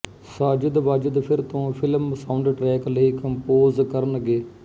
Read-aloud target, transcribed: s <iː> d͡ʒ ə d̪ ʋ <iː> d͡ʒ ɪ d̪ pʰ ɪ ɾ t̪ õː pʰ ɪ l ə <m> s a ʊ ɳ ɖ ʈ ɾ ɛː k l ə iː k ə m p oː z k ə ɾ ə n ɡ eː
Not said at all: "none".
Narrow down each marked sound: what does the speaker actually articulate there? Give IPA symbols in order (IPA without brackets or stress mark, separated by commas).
aː, aː, m